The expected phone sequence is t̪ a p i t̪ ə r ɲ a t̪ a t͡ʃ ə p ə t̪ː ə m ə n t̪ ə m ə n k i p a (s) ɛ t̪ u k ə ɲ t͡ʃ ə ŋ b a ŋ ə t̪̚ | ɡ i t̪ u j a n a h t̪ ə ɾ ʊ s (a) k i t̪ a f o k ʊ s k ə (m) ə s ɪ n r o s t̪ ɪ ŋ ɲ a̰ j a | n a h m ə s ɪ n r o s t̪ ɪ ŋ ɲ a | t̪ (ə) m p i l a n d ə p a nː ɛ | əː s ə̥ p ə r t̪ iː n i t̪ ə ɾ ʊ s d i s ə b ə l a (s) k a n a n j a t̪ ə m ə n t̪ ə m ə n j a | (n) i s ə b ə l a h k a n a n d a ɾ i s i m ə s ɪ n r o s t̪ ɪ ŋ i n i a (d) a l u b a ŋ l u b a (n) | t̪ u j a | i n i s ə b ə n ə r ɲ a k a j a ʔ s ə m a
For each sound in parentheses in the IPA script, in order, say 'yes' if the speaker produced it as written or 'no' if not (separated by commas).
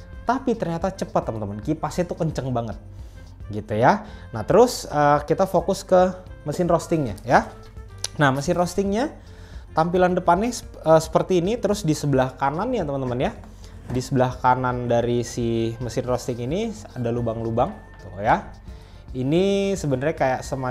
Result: yes, no, yes, no, no, no, yes, no